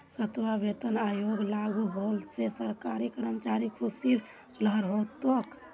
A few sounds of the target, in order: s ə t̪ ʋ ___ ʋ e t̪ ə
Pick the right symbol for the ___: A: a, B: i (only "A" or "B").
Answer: A